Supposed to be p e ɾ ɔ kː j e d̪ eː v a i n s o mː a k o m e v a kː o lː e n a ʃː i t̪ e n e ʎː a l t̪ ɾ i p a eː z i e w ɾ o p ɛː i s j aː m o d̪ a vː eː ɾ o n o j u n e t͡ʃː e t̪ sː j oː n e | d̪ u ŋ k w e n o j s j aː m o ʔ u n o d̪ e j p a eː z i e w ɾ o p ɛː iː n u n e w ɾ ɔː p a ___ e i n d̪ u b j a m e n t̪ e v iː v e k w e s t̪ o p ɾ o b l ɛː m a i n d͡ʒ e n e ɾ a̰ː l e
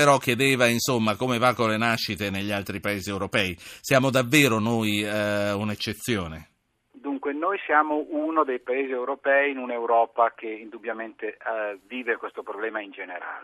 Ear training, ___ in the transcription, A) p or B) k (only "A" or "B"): B